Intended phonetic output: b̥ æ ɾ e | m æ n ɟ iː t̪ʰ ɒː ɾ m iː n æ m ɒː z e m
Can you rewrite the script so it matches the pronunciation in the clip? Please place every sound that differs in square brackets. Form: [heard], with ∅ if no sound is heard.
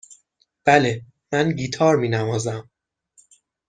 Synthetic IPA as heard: b̥ æ [l] e | m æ n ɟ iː t̪ʰ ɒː ɾ m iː n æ m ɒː z [æ] m